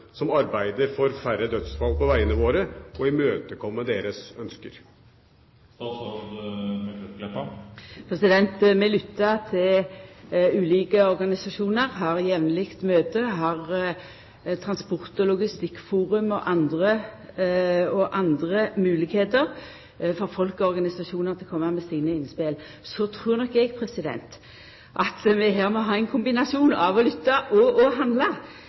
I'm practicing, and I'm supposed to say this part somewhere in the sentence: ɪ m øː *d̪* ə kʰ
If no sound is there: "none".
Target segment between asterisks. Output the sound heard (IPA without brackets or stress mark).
t̪